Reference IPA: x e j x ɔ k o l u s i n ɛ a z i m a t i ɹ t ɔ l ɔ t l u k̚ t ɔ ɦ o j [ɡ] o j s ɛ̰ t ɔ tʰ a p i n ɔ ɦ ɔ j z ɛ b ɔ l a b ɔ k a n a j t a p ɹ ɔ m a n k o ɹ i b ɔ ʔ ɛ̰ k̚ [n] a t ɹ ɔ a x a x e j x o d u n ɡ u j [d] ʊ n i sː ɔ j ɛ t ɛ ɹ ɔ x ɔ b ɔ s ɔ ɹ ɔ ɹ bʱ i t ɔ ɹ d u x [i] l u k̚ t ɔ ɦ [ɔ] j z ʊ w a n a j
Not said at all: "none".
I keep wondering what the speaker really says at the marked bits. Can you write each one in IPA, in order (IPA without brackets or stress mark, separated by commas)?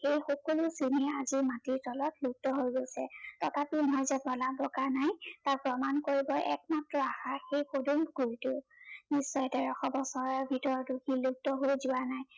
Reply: ɡ, m, t, i, o